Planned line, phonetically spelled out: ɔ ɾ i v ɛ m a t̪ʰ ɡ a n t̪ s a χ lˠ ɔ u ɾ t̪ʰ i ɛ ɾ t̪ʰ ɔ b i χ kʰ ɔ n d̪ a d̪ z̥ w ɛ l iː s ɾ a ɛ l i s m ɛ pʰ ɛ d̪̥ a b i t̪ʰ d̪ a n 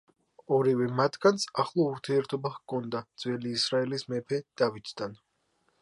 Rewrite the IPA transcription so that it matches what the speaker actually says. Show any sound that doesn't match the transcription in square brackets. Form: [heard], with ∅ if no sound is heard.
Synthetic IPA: ɔ ɾ i v ɛ m a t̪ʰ ɡ a n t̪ s a χ lˠ ɔ u ɾ t̪ʰ i ɛ ɾ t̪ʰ ɔ b [a] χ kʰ ɔ n d̪ a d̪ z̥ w ɛ l iː s ɾ a ɛ l i s m ɛ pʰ ɛ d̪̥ a [v] i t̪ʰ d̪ a n